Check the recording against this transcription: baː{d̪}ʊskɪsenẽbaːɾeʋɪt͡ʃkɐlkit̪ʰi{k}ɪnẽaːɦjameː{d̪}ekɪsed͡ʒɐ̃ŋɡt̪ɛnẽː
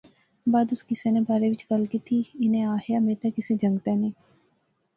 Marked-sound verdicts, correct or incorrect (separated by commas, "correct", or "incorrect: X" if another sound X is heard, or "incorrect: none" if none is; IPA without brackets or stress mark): correct, incorrect: none, incorrect: t̪